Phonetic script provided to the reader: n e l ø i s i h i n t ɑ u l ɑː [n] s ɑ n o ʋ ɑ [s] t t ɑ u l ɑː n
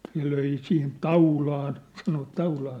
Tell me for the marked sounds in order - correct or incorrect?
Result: correct, incorrect

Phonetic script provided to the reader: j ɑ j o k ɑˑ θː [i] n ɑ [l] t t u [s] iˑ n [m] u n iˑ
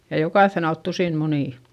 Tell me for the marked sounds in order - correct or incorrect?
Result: incorrect, correct, correct, correct

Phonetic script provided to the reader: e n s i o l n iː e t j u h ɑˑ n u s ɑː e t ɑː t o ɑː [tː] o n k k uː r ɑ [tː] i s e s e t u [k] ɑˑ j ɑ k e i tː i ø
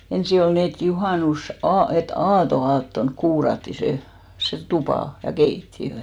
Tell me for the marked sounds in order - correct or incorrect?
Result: correct, correct, incorrect

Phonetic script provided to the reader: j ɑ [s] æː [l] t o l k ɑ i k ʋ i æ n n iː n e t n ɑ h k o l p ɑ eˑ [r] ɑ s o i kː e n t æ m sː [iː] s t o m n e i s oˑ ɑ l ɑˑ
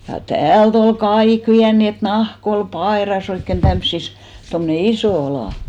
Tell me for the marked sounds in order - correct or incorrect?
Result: incorrect, correct, correct, incorrect

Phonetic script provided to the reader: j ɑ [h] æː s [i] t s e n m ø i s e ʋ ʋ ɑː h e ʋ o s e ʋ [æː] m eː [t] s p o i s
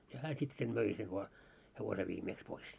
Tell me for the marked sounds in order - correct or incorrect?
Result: correct, correct, incorrect, incorrect

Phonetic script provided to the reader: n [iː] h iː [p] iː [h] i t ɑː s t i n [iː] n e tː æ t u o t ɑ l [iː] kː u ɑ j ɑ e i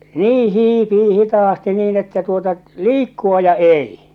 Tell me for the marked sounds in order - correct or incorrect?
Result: correct, correct, correct, correct, correct

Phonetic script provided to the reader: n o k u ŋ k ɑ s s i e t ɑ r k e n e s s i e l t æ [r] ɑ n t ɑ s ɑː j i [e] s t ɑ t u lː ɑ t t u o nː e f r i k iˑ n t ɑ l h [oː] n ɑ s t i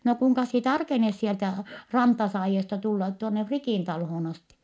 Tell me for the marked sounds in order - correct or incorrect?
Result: correct, correct, correct

